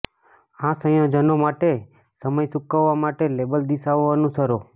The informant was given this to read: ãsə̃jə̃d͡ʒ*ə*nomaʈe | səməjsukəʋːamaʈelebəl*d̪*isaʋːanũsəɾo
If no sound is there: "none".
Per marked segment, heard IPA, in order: ə, d̪

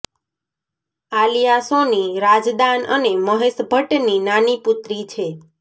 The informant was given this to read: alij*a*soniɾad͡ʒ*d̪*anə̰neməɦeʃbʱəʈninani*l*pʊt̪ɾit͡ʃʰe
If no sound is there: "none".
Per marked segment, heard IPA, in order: a, d̪, none

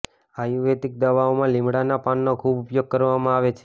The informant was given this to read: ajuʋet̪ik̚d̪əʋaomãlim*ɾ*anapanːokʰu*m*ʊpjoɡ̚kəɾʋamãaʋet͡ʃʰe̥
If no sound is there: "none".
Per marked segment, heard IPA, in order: ɽ, b

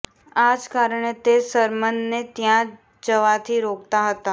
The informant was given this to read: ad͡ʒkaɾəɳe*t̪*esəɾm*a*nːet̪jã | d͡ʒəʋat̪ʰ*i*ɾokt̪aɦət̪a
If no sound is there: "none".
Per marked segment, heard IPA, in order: t̪, ə, i

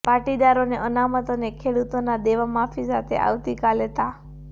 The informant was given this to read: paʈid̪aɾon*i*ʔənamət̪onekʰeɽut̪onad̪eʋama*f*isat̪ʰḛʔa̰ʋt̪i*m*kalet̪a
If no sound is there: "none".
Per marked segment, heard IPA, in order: e, f, none

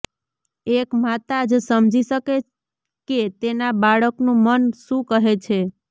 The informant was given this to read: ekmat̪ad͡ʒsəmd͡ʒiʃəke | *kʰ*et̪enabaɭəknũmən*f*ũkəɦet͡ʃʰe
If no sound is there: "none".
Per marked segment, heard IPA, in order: k, ʃ

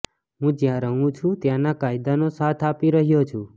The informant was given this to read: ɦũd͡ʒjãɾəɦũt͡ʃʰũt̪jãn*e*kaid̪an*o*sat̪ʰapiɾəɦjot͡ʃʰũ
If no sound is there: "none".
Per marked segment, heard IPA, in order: a, o

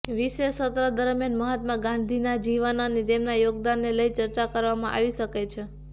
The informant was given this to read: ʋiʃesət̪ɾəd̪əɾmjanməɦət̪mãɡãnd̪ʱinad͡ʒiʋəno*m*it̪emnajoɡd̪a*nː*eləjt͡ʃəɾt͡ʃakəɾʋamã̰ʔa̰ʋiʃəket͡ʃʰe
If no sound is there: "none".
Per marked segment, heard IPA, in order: n, nː

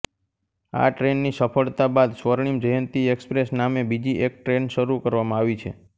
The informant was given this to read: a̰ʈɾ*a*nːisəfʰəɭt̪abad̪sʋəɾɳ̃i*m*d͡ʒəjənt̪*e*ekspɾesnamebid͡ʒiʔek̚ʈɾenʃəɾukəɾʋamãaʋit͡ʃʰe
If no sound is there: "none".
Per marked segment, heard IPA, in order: e, m, i

